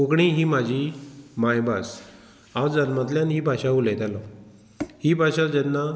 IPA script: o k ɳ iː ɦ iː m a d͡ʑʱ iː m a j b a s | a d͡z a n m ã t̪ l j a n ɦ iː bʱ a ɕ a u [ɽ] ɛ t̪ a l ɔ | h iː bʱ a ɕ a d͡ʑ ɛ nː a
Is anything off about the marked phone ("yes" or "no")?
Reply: yes